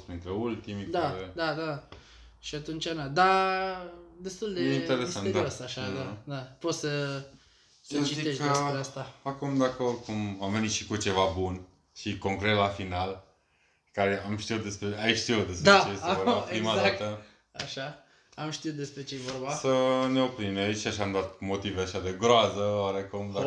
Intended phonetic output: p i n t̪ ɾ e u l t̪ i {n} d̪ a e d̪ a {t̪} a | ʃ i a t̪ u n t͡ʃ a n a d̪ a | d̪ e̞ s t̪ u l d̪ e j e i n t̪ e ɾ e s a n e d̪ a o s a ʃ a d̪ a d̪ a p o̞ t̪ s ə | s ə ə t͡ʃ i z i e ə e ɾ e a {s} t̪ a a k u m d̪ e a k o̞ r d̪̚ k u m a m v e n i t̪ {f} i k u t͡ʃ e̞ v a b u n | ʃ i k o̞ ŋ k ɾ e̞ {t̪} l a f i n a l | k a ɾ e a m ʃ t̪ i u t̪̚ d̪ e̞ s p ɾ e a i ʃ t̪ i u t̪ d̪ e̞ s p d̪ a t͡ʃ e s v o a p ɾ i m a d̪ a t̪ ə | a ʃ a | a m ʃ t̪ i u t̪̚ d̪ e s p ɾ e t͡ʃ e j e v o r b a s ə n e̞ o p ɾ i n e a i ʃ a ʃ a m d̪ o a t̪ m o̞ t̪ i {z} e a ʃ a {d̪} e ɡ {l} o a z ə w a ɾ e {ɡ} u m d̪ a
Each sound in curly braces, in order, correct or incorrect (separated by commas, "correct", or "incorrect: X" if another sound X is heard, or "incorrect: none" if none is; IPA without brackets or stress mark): incorrect: m, incorrect: d̪, correct, incorrect: ʃ, correct, incorrect: v, correct, incorrect: ɾ, incorrect: k